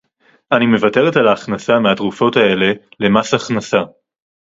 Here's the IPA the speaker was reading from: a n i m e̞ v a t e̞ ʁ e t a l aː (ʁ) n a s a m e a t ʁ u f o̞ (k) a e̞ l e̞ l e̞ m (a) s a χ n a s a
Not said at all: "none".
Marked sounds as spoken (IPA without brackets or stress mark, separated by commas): χ, t, a